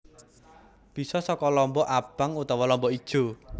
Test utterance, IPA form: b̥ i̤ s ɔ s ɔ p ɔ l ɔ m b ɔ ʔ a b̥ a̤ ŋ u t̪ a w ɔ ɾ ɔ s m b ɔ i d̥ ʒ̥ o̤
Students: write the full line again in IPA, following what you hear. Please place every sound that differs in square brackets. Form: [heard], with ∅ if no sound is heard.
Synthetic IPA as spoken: b̥ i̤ s ɔ s ɔ [k] ɔ l ɔ m b ɔ ʔ a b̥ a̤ ŋ u t̪ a w ɔ [l] ɔ [∅] m b ɔ i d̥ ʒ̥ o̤

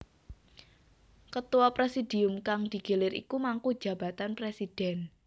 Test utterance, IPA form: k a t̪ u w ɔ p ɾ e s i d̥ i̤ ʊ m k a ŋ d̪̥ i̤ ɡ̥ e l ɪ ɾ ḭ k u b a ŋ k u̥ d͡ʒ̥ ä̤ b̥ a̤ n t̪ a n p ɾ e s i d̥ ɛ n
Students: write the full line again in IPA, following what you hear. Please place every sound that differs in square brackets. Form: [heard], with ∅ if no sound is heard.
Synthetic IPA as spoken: k [ə] t̪ u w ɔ p ɾ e s i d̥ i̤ ʊ m k a ŋ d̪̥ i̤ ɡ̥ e l ɪ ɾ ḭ k u [m] a ŋ k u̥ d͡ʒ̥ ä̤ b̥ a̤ [∅] t̪ a n p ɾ e s i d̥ ɛ n

